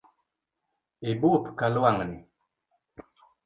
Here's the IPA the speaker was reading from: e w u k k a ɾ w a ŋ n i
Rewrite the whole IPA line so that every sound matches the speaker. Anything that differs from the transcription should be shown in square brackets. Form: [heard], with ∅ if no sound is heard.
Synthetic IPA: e [b] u [p] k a [l] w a ŋ n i